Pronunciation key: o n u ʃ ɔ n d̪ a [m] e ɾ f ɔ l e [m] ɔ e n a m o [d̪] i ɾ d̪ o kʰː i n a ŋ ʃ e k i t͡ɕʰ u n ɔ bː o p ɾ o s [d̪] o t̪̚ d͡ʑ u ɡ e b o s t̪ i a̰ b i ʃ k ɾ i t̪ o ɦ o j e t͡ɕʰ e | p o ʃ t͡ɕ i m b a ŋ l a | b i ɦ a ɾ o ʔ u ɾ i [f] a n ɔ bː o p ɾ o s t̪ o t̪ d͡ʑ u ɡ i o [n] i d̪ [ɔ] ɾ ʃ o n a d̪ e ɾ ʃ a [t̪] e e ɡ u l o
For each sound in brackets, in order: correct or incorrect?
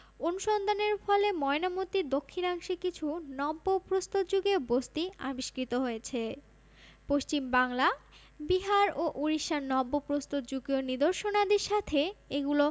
incorrect, correct, incorrect, incorrect, incorrect, correct, incorrect, incorrect

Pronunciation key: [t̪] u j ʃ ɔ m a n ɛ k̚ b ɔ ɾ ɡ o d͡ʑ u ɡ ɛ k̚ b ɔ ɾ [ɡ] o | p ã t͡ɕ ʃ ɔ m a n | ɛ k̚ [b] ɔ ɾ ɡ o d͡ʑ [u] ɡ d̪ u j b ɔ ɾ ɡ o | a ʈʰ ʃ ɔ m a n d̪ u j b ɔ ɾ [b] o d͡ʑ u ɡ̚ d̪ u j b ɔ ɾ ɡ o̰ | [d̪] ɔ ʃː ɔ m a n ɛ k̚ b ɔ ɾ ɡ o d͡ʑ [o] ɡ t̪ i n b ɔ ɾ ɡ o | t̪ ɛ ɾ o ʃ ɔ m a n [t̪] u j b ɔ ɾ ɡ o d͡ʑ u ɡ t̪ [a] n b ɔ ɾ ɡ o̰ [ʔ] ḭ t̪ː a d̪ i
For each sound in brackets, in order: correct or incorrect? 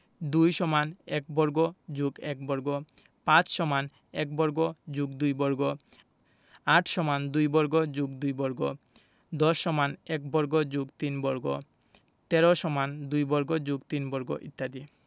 incorrect, correct, correct, correct, incorrect, correct, incorrect, incorrect, incorrect, correct

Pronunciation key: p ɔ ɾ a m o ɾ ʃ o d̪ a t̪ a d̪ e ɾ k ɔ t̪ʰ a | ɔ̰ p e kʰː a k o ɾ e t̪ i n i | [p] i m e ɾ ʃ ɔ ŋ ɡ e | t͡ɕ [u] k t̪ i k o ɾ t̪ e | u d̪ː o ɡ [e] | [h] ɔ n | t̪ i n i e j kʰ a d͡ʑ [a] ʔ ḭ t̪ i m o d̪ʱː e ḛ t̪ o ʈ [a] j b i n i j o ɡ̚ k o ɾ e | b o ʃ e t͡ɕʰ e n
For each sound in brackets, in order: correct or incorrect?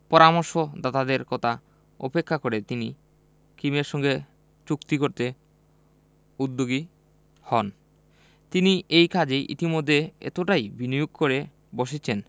incorrect, correct, incorrect, correct, incorrect, correct

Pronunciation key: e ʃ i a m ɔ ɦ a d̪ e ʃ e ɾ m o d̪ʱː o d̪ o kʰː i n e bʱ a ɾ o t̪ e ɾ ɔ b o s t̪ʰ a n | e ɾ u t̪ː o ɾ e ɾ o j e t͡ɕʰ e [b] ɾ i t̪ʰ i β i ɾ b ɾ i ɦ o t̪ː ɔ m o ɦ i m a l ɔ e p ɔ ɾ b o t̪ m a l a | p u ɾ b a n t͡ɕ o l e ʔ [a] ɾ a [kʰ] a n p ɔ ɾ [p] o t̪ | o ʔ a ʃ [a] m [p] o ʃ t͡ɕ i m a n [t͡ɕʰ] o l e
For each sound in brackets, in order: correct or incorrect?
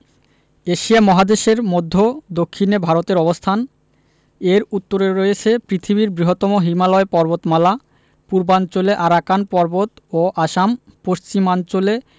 incorrect, correct, incorrect, incorrect, correct, correct, incorrect

